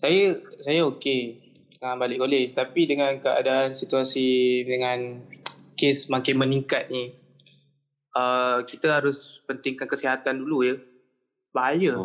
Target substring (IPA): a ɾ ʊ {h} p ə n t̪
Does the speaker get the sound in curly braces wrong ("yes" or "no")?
yes